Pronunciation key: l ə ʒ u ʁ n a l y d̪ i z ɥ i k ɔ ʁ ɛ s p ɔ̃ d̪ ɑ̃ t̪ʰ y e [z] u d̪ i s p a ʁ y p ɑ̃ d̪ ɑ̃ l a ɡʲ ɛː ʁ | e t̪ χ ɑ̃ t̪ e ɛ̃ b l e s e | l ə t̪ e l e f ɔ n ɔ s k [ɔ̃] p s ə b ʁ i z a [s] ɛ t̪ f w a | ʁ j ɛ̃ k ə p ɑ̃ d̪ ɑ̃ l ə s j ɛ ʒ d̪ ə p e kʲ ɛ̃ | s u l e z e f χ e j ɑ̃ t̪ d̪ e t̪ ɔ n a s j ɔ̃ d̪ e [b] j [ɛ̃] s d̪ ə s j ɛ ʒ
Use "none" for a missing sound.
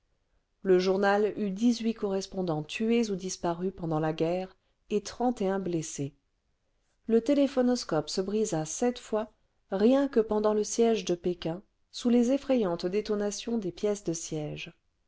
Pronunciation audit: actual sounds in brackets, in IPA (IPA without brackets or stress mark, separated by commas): z, ɔ, s, p, ɛ